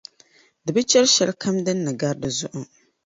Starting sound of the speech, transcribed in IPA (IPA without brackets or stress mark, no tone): d